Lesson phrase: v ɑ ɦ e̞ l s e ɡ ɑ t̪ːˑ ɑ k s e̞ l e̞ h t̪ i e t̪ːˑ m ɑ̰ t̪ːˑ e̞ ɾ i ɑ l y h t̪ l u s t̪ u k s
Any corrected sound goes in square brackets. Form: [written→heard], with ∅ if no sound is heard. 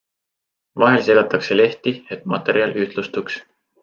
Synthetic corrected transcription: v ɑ ɦ e̞ l s e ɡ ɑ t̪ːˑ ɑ k s e̞ l e̞ h t̪ i e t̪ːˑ m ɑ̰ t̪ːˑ e̞ ɾ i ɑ l y h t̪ l u s t̪ u k s